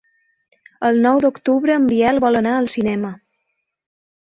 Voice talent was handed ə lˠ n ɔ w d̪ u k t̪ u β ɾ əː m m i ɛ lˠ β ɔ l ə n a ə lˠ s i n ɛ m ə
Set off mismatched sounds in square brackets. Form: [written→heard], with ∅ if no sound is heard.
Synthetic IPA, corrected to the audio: ə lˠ n ɔ w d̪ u k t̪ u β ɾ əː m [m→b] i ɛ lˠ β ɔ l ə n a ə lˠ s i n ɛ m ə

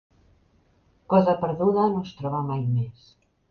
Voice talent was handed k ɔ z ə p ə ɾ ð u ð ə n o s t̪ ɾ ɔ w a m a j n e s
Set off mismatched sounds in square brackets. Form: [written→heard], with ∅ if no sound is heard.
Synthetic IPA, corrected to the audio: k ɔ z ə p ə ɾ ð u ð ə n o s t̪ ɾ ɔ [w→β] a m a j [n→m] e s

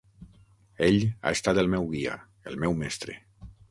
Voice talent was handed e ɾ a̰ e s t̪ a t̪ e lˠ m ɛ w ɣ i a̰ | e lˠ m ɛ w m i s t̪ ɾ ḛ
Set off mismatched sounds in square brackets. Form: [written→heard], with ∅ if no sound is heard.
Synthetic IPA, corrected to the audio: e [ɾ→ʎ] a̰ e s t̪ a t̪ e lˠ m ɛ w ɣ i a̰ | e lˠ m ɛ w m [i→ɛ] s t̪ ɾ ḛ

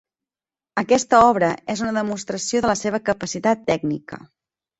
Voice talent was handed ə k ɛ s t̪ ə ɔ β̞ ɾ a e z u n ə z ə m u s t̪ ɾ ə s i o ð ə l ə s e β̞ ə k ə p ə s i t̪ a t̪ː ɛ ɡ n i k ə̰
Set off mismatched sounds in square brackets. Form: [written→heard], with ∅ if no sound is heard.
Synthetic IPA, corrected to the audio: ə k ɛ s t̪ ə ɔ β̞ ɾ [a→ə] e z u n ə [z→ð] ə m u s t̪ ɾ ə s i o ð ə l ə s e β̞ ə k ə p ə s i t̪ a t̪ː ɛ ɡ n i k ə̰

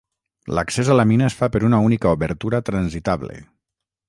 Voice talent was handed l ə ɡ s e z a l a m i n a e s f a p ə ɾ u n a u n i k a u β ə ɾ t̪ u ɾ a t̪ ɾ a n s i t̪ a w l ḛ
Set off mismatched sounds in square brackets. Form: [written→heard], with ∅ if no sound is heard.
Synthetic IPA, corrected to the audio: l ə [ɡ→k] s e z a l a m i n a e s f a p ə ɾ u n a u n i k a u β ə ɾ t̪ u ɾ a t̪ ɾ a n [s→z] i t̪ a [w→β] l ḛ

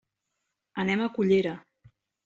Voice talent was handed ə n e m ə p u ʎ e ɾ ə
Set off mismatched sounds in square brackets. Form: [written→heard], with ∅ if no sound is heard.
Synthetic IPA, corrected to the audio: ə n [e→ɛ] m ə [p→k] u ʎ e ɾ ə

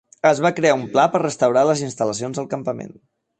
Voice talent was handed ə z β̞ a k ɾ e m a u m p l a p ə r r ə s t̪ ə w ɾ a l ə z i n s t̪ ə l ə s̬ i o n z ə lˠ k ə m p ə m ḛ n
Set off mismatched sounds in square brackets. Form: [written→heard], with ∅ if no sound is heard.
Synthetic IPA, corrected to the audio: ə z β̞ a k ɾ e [m→∅] a u m p l a p ə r r ə s t̪ ə w ɾ a l ə z i n s t̪ ə l ə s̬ i o n z ə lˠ k ə m p ə m ḛ n

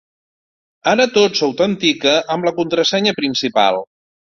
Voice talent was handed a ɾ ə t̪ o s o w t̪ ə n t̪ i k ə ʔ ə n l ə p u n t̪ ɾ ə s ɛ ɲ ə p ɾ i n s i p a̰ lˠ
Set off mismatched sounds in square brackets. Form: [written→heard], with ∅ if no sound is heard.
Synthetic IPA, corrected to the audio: a ɾ ə t̪ o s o w t̪ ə n t̪ i k ə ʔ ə [n→m] l ə [p→k] u n t̪ ɾ ə s ɛ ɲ ə p ɾ i n s i p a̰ lˠ

